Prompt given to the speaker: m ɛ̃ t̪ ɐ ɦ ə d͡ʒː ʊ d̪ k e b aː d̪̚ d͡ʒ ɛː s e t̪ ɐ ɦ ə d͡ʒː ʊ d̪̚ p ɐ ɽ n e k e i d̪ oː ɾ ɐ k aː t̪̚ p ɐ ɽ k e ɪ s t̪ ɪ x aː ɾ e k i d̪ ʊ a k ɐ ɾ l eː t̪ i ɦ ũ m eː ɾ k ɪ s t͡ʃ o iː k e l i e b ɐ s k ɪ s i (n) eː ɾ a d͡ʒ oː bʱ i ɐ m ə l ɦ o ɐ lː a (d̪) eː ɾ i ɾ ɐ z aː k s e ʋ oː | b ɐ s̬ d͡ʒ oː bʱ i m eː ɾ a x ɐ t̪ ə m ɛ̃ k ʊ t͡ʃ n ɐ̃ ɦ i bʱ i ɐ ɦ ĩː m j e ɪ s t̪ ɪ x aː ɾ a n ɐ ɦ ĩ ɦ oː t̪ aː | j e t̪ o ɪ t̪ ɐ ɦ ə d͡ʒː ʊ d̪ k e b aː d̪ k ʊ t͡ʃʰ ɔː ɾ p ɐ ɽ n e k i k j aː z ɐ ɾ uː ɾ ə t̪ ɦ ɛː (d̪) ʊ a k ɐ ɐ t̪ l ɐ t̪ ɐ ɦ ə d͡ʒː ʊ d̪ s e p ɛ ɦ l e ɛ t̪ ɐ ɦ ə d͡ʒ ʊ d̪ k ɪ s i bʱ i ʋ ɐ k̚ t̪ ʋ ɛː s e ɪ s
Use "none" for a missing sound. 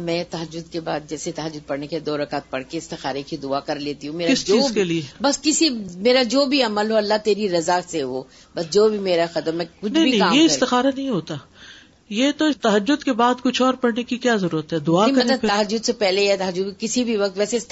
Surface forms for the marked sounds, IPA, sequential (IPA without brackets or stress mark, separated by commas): m, t̪, d̪